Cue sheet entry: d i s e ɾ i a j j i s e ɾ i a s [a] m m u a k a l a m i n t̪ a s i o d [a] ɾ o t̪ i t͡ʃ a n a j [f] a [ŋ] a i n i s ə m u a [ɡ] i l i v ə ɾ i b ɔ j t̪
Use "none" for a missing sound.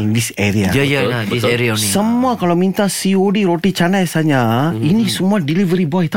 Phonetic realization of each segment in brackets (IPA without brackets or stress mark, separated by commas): ə, i, s, ɲ, d